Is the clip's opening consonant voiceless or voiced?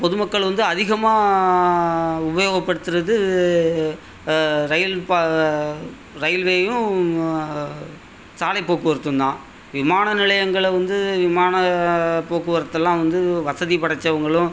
voiceless